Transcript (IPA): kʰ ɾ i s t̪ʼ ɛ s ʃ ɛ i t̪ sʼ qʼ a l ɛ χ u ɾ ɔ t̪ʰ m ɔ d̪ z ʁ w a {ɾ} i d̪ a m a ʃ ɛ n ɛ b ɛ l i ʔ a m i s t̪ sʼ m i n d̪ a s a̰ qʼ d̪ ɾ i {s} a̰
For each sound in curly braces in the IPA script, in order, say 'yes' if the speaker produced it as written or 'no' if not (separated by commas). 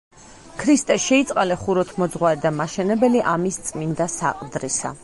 yes, yes